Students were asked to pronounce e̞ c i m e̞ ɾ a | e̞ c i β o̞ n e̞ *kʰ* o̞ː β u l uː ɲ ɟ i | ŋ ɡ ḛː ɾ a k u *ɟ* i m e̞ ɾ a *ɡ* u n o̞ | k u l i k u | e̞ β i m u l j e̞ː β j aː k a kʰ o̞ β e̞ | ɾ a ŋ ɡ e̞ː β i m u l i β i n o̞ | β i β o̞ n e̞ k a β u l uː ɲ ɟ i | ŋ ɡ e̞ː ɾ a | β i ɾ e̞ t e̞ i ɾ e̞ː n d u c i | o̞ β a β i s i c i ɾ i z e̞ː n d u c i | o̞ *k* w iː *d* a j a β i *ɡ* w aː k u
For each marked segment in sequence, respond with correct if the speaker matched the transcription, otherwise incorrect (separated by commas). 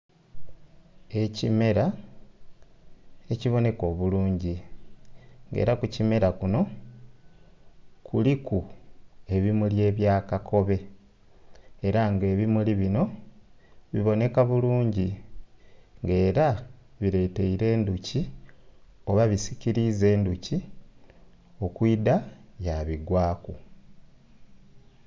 incorrect, incorrect, incorrect, correct, correct, correct